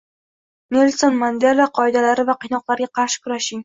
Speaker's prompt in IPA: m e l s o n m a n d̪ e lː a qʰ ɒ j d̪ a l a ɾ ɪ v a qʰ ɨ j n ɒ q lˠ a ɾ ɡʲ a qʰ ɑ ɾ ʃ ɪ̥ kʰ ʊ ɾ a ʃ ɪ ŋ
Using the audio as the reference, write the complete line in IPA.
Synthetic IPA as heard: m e l s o n m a n d̪ e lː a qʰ ɒ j d̪ a l a ɾ ɪ v a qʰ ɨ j n ɒ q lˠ a ɾ ɡʲ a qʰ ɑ ɾ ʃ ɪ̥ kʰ ʊ ɾ a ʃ ɪ ŋ

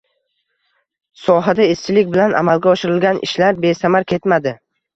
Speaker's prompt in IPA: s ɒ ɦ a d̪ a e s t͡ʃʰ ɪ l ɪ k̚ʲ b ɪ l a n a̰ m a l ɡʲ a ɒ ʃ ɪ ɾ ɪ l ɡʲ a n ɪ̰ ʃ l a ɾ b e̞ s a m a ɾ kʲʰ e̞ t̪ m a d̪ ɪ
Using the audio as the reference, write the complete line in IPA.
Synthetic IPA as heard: s ɒ ɦ a d̪ a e s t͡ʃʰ ɪ l ɪ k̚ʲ b ɪ l a n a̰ m a l ɡʲ a ɒ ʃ ɪ ɾ ɪ l ɡʲ a n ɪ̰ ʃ l a ɾ b e̞ s a m a ɾ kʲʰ e̞ t̪ m a d̪ ɪ

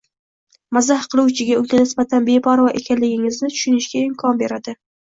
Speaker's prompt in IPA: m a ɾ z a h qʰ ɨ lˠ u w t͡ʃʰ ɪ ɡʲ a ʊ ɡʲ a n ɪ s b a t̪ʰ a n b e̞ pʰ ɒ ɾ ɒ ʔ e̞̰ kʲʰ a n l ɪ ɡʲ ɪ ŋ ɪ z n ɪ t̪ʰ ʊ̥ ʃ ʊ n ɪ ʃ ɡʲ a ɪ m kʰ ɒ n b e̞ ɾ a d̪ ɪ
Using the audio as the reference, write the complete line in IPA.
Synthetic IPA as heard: m a z a h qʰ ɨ lˠ u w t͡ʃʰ ɪ ɡʲ a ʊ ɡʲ a n ɪ s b a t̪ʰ a n b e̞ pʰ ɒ ɾ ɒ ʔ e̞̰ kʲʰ a n l ɪ ɡʲ ɪ ŋ ɪ z n ɪ t̪ʰ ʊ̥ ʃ ʊ n ɪ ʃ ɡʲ a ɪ m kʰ ɒ n b e̞ ɾ a d̪ ɪ

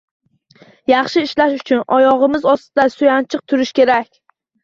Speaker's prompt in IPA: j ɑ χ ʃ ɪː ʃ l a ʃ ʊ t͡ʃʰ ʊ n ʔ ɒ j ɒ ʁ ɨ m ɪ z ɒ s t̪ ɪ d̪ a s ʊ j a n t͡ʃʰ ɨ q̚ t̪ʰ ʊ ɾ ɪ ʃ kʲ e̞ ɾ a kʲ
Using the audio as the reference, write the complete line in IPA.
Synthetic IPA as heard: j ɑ χ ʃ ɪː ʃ l a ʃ ʊ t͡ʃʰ ʊ n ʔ ɒ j ɒ ʁ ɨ m ɪ z ɒ s t̪ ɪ d̪ a s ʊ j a n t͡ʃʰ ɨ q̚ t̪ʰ ʊ ɾ ɪ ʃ kʲ e̞ ɾ a kʲ

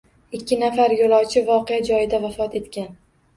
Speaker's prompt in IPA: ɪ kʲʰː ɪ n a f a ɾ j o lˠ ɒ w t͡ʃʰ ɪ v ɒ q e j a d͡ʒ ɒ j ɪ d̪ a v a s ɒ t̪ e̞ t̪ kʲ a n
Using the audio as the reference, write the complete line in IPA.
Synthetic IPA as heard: ɪ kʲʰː ɪ n a f a ɾ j o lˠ ɒ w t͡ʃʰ ɪ v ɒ q e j a d͡ʒ ɒ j ɪ d̪ a v a f ɒ t̪ e̞ t̪ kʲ a n

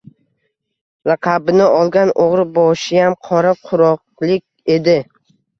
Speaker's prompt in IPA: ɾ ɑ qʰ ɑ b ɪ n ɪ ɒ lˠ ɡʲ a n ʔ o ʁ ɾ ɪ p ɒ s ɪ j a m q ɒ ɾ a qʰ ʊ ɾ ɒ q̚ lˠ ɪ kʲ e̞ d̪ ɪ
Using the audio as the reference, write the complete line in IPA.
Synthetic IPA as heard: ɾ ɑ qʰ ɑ b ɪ n ɪ ɒ lˠ ɡʲ a n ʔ o ʁ ɾ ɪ b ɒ ʃ ɪ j a m qʰ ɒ ɾ a qʰ ʊ ɾ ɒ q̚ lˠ ɪ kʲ e̞ d̪ ɪ

